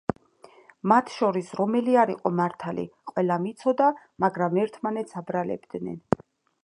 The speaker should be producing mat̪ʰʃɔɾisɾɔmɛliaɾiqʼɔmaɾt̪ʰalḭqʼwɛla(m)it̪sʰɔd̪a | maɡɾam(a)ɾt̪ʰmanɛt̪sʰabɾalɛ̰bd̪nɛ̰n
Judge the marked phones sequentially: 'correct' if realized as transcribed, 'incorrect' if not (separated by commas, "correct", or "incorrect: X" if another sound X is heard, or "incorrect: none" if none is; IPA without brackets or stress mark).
correct, incorrect: ɛ